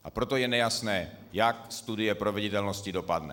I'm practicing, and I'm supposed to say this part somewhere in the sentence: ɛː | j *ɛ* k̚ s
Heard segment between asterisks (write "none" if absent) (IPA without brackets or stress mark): a